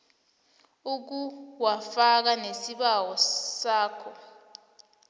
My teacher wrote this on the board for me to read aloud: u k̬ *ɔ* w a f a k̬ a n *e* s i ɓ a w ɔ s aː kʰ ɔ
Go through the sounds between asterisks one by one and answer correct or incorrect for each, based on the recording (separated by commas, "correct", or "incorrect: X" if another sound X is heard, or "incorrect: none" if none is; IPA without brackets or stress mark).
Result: incorrect: u, correct